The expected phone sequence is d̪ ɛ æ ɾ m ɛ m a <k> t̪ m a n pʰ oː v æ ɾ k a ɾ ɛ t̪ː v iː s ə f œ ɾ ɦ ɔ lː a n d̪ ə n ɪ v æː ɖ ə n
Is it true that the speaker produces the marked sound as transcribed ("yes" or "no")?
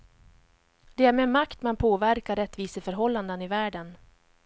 yes